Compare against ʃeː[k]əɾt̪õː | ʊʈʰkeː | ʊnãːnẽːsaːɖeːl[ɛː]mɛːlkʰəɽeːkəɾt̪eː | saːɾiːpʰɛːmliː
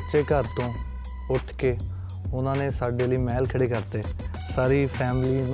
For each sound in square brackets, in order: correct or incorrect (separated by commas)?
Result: correct, incorrect